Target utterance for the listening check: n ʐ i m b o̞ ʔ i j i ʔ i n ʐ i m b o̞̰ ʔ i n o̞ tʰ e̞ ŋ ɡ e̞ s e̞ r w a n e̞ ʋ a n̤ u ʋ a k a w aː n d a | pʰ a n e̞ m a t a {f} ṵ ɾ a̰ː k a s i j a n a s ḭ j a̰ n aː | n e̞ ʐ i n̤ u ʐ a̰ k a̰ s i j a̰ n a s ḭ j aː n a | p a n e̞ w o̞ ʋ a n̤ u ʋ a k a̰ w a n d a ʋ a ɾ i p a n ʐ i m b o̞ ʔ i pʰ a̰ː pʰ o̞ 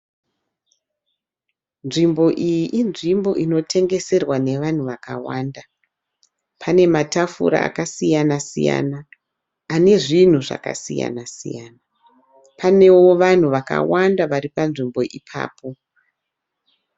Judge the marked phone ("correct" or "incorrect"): correct